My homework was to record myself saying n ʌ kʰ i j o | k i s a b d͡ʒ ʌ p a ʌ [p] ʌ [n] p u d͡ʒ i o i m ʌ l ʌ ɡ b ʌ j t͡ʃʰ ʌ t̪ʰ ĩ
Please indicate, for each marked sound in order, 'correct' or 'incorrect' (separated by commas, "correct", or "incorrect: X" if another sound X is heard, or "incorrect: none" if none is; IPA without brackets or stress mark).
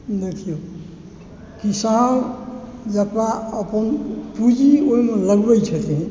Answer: correct, correct